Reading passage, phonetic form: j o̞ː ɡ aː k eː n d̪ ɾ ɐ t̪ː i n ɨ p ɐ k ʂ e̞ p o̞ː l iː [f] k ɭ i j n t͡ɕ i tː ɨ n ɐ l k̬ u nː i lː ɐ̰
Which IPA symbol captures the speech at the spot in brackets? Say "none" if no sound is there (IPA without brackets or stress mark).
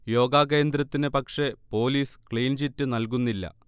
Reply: s